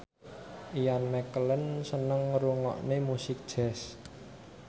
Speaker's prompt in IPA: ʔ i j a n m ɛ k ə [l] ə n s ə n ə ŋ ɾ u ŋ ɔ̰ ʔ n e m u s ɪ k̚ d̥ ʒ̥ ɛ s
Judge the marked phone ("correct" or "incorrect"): correct